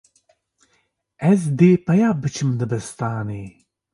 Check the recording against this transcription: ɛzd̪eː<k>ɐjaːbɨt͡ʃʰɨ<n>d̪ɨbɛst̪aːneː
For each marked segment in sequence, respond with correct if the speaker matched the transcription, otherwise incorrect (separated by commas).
incorrect, incorrect